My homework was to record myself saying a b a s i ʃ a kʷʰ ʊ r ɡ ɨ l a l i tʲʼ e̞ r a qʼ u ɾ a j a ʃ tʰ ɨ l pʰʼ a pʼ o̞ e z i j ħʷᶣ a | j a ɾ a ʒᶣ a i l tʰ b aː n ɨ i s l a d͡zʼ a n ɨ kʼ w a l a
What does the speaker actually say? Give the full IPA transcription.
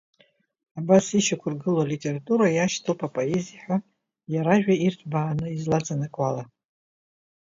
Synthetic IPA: a b a s i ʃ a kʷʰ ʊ r ɡ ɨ l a l i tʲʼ e̞ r a tʼ u ɾ a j a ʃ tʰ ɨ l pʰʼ a pʼ o̞ e z i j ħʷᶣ a | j a ɾ a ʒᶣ a i r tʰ b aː n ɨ i z l a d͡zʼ a n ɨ kʼ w a l a